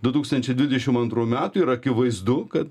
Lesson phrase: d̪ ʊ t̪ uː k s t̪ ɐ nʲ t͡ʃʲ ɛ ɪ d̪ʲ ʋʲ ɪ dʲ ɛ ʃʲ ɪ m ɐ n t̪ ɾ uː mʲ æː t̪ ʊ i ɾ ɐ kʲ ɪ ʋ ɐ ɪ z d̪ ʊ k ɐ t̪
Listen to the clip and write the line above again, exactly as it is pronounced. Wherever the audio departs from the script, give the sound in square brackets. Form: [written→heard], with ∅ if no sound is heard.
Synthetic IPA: d̪ ʊ t̪ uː k s t̪ ɐ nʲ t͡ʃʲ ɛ ɪ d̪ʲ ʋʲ ɪ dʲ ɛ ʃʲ ɪ m ɐ n t̪ ɾ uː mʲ æː t̪ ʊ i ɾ ɐ kʲ ɪ ʋ ɐ ɪ z d̪ ʊ k ɐ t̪